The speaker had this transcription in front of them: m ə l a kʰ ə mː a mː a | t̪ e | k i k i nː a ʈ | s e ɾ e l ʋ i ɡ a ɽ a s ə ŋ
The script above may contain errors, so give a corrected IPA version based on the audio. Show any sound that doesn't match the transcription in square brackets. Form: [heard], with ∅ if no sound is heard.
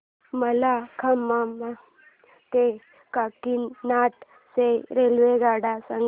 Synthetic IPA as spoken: m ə l a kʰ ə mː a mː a | t̪ e | k [a] k i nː a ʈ | s e ɾ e l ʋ [e] ɡ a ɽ a s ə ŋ